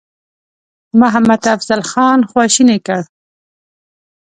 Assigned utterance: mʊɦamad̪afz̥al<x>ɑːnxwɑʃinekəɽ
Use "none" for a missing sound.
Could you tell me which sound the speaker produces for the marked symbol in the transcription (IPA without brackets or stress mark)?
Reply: x